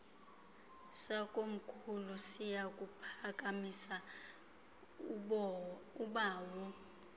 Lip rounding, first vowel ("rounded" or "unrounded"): unrounded